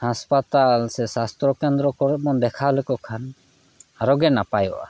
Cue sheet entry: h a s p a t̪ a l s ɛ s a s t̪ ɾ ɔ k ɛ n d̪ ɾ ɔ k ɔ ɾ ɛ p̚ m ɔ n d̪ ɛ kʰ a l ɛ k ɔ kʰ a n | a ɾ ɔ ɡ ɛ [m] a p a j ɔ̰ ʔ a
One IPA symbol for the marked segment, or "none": n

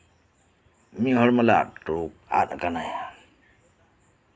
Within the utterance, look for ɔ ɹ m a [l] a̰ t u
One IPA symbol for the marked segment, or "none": l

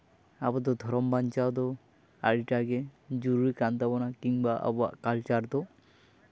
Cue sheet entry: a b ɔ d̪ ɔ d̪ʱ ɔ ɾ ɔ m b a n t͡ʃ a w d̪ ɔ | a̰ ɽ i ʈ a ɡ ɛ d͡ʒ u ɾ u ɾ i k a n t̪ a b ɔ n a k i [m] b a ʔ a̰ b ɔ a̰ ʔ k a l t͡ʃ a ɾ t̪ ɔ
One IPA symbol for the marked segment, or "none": ŋ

